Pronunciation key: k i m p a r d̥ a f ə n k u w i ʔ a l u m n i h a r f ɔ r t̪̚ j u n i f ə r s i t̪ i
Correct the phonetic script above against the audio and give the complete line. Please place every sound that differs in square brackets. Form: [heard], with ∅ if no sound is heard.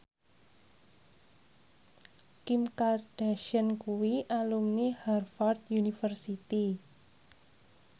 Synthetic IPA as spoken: k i m [k] a r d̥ a [ʃ] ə n k u w i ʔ a l u m n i h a r f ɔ r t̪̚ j u n i f ə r s i t̪ i